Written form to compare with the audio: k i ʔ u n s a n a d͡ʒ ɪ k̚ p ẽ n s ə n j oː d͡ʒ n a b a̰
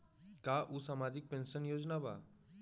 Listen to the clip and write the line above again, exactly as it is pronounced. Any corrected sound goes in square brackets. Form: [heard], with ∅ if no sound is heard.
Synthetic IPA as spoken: k [a] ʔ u [∅] s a [m] a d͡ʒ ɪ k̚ p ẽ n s ə n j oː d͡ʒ n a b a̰

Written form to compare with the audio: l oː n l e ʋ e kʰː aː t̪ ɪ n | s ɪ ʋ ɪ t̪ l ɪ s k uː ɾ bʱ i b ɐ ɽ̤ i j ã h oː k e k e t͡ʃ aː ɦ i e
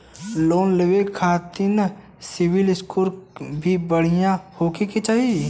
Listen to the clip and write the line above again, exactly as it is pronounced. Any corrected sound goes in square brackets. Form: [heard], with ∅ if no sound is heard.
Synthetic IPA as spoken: l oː n l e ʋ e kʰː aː t̪ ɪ n | s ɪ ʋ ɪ [∅] l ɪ s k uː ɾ bʱ i b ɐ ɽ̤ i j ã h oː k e k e t͡ʃ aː ɦ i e

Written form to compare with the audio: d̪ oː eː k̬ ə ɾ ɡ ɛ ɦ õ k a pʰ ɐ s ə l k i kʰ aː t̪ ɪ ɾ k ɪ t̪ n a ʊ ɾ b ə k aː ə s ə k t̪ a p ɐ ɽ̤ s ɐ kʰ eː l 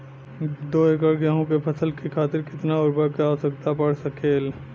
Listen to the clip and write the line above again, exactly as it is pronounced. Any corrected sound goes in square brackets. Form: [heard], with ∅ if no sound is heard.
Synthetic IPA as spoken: d̪ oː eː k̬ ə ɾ ɡ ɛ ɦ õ k [e] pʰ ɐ s ə l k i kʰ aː t̪ ɪ ɾ k ɪ t̪ n a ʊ ɾ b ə k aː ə s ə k t̪ a p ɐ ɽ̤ s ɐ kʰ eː l

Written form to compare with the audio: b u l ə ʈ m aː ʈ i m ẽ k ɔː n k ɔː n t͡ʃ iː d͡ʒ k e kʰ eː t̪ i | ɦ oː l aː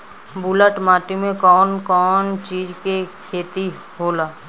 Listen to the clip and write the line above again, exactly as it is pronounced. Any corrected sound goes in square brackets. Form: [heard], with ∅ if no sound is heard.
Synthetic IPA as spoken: b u l ə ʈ m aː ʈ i m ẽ k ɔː n k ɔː n t͡ʃ iː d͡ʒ k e kʰ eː t̪ i | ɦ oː l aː

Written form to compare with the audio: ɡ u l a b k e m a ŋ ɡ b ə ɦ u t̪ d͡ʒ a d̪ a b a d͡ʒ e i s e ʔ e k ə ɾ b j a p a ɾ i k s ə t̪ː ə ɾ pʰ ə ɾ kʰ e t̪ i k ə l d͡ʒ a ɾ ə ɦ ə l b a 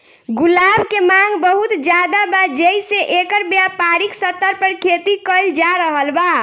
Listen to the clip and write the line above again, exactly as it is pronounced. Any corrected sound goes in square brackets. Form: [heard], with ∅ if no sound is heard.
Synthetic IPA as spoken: ɡ u l a b k e m a ŋ ɡ b ə ɦ u t̪ d͡ʒ a d̪ a b a d͡ʒ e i s e ʔ e k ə ɾ b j a p a ɾ i k s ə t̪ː ə ɾ [p] ə ɾ kʰ e t̪ i k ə l d͡ʒ a ɾ ə ɦ ə l b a

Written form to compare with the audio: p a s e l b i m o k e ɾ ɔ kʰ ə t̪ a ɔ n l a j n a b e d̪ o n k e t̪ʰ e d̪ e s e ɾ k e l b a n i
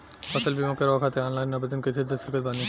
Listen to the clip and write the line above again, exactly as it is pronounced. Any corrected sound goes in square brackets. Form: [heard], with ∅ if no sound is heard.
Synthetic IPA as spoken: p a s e l b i m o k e ɾ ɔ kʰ [a] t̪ [e] ɔ n l a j n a b e d̪ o n k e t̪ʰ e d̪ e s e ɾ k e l b a n i

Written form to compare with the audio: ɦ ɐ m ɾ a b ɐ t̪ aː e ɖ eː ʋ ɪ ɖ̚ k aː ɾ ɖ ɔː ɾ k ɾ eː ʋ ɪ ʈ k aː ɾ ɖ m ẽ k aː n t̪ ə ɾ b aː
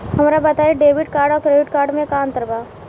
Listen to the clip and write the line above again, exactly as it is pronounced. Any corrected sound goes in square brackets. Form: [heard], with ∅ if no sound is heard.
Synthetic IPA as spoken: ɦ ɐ m ɾ a b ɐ t̪ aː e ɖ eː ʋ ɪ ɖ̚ k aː ɾ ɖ ɔː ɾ k ɾ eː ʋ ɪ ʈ k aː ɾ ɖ m ẽ k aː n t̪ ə ɾ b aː

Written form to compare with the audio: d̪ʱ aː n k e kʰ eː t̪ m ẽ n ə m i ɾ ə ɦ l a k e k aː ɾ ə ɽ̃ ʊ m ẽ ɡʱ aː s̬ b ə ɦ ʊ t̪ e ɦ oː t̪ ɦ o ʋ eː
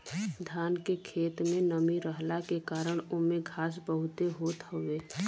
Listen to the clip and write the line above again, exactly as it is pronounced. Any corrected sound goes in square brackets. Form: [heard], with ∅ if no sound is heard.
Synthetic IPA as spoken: d̪ʱ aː n k e kʰ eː t̪ m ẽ n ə m i ɾ ə ɦ l a k e k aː ɾ ə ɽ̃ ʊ m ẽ ɡʱ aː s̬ b ə ɦ ʊ t̪ e ɦ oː t̪ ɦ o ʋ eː

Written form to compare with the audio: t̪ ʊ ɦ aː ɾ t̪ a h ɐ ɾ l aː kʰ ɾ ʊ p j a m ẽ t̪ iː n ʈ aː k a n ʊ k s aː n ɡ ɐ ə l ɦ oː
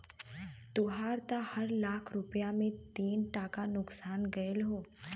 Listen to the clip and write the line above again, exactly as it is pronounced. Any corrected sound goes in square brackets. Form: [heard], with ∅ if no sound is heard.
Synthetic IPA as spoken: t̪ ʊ ɦ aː ɾ t̪ a h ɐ ɾ l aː kʰ ɾ ʊ p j a m ẽ t̪ iː n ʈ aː k a n ʊ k s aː n ɡ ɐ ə l ɦ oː

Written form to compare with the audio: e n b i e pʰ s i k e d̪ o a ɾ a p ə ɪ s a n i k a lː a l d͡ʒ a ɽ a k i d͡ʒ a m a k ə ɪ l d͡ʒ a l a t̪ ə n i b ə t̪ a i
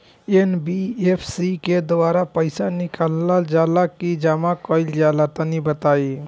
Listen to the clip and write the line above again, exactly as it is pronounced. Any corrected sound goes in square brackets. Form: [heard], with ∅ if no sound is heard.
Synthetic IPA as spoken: e n b i e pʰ s i k e d̪ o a ɾ a p ə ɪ s a n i k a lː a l d͡ʒ a [l] a k i d͡ʒ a m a k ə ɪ l d͡ʒ a l a t̪ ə n i b ə t̪ a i

